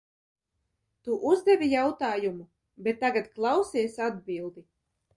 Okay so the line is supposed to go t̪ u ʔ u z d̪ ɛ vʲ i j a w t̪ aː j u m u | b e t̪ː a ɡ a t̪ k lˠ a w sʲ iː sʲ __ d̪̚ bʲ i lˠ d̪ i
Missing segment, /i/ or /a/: a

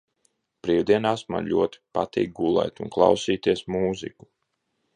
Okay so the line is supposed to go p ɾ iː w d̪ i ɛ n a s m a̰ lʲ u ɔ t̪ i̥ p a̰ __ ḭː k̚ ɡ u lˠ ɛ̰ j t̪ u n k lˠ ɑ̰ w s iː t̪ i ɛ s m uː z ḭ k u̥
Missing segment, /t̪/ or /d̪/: t̪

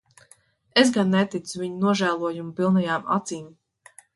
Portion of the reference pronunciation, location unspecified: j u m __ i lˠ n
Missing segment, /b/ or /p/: p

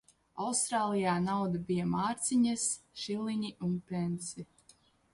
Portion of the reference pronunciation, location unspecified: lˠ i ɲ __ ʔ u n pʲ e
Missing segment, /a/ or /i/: i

